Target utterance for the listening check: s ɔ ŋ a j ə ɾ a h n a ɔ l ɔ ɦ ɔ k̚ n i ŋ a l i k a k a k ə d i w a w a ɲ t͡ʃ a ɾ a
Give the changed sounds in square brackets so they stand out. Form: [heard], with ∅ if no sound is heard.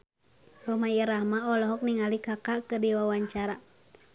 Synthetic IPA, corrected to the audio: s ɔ [m] a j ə ɾ a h [m] a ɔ l ɔ ɦ ɔ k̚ n i ŋ a l i k a k a k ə d i w a w a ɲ t͡ʃ a ɾ a